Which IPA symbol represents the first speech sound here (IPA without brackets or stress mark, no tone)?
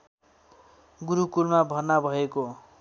ɡ